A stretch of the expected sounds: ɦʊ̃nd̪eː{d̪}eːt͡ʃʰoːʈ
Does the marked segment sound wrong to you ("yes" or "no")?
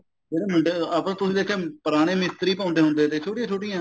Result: yes